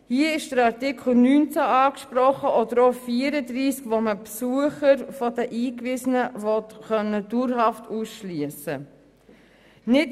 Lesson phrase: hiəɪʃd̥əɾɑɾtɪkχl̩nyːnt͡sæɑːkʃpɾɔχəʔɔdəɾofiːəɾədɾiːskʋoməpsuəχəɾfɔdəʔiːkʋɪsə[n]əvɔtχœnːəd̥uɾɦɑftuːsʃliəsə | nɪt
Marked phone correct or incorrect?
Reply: correct